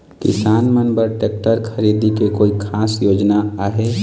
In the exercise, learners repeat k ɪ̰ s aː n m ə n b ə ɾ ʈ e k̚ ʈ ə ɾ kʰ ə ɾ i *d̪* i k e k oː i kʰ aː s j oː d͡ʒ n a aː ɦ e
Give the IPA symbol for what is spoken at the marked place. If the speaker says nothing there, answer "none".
d̪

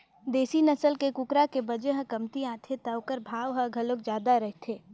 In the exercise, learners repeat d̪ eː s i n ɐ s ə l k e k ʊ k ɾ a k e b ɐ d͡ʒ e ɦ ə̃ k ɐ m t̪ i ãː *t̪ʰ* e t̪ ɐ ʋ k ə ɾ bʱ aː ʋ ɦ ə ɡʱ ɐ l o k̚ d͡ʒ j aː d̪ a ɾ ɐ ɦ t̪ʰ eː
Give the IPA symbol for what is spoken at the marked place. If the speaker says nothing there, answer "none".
t̪ʰ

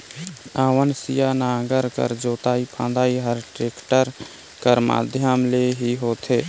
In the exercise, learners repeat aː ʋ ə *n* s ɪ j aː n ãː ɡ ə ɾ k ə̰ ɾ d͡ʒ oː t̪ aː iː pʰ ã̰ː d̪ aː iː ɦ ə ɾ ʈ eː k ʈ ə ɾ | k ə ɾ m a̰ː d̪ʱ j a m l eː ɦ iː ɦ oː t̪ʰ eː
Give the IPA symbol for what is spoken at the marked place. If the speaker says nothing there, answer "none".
n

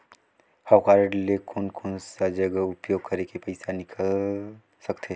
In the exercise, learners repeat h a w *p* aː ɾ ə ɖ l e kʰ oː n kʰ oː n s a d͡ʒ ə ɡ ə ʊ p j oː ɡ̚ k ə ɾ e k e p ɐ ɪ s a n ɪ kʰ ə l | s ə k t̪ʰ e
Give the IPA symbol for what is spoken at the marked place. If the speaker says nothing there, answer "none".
k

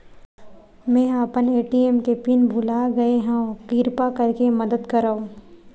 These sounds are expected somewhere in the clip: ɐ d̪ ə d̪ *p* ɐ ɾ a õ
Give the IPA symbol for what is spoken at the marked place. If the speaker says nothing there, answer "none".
k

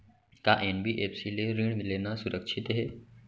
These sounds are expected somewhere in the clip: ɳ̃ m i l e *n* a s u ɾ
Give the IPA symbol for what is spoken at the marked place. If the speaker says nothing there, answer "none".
n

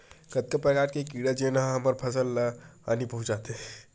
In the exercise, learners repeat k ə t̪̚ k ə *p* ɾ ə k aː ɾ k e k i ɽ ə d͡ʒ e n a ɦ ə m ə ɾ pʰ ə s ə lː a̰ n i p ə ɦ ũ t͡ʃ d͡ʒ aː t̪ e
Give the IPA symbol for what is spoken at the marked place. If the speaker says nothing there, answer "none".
p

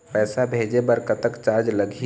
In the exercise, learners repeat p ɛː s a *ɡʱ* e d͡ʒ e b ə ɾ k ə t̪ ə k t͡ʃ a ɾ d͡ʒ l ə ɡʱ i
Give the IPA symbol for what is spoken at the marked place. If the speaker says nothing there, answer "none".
bʱ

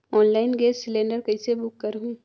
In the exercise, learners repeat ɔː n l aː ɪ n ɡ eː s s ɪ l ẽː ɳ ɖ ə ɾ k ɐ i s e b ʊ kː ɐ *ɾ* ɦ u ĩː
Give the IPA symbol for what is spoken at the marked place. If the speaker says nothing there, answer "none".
ɾ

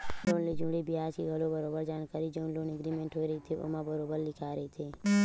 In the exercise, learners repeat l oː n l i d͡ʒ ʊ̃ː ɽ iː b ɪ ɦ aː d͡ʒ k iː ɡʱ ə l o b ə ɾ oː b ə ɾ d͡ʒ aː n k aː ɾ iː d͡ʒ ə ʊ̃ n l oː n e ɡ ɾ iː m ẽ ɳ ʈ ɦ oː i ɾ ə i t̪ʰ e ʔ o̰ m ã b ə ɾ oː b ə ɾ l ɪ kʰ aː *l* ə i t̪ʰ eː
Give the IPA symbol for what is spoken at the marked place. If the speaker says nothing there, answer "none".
ɾ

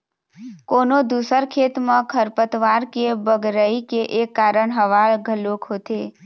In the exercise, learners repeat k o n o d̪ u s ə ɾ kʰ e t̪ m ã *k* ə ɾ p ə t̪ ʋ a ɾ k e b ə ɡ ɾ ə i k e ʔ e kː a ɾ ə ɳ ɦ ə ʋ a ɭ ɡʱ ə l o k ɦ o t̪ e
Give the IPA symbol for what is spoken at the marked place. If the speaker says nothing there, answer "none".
kʰ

